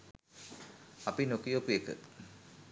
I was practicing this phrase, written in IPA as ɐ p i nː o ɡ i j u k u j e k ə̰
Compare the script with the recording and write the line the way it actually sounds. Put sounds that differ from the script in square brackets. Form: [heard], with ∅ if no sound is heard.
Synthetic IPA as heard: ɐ p i [n] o [k] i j [o] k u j e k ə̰